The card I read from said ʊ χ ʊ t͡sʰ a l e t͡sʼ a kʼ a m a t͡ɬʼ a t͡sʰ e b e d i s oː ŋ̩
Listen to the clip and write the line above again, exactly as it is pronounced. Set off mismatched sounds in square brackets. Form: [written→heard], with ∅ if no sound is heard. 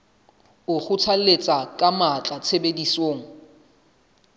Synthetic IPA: ʊ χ ʊ t͡sʰ a l e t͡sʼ a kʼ a m a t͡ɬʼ a t͡sʰ e b e d i s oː ŋ̩